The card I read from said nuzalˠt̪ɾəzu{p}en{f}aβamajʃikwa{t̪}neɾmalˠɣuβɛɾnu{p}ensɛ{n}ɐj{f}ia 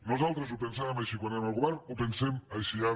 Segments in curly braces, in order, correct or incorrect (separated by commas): correct, incorrect, incorrect, correct, incorrect, incorrect